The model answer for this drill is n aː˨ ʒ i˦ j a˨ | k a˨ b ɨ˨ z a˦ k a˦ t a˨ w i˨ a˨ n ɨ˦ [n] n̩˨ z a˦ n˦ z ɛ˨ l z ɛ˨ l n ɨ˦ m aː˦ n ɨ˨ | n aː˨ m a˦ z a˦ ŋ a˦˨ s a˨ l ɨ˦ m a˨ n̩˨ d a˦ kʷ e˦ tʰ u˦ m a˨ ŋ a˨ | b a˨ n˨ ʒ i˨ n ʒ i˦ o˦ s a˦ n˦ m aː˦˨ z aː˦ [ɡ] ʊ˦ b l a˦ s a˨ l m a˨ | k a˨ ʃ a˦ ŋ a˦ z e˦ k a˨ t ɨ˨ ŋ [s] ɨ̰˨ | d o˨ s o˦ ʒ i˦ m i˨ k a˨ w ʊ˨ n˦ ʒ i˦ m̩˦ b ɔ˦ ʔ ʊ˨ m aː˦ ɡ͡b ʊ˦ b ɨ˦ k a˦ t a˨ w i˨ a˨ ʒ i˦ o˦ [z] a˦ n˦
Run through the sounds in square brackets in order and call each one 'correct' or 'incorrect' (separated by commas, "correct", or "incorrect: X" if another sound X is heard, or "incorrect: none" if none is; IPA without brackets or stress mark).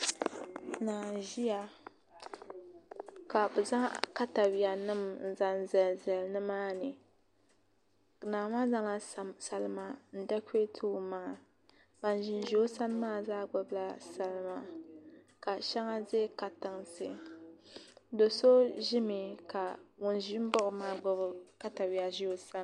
incorrect: m, incorrect: ɡ͡b, correct, incorrect: s